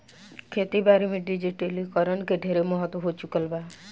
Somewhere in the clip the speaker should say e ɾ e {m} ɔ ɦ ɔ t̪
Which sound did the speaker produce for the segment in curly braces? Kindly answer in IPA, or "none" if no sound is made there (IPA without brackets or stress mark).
m